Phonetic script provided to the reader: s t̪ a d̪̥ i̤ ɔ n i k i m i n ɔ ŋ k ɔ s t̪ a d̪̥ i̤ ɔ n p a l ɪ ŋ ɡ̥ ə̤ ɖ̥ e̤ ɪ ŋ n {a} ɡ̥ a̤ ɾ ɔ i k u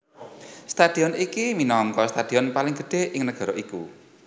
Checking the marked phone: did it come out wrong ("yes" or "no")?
yes